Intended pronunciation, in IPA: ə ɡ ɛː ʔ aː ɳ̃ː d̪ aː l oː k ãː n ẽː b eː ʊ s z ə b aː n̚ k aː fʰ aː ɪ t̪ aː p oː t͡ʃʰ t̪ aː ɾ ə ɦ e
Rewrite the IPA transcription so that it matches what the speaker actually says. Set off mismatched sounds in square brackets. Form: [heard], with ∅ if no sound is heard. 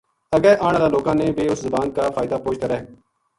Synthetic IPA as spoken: ə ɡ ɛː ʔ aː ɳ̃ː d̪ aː l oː k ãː n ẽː b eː ʊ s z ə b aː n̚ k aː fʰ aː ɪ [d̪] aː p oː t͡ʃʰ t̪ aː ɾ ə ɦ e